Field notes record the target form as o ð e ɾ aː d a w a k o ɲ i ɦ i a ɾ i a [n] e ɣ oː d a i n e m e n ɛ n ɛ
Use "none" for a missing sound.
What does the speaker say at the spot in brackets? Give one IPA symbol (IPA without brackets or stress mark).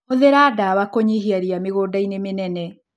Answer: m